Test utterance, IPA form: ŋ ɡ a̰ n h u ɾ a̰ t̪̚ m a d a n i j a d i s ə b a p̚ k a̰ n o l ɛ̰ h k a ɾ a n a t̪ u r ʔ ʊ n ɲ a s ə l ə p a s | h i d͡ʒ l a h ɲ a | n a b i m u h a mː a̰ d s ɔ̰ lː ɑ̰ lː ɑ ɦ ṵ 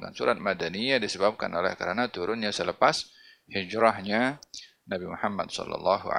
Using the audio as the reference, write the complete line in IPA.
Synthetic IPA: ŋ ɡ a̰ n s u ɾ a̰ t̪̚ m a d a n i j a d i s ə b a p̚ k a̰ n o l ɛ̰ h k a ɾ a n a t̪ u ɾ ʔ ʊ n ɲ a s ə l ə p a s | h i d͡ʒ ɾ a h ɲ a | n a b i m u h a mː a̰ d s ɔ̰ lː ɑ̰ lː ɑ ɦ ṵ